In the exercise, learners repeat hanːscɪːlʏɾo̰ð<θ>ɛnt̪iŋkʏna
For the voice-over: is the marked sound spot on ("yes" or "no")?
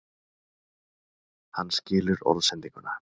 no